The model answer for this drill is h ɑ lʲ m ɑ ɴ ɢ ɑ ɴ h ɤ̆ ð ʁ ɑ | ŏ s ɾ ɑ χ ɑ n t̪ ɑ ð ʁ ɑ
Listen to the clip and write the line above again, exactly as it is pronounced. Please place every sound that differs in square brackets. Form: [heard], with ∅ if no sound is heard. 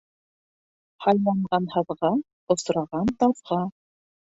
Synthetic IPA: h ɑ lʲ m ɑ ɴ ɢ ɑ [n] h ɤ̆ ð ʁ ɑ | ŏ s ɾ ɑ [ʁ] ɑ n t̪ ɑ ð ʁ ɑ